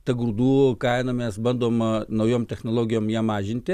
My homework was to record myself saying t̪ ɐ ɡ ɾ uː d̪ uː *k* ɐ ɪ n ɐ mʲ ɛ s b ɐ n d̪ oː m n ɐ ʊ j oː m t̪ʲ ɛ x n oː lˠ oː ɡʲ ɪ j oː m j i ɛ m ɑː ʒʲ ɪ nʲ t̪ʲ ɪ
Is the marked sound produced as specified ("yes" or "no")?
yes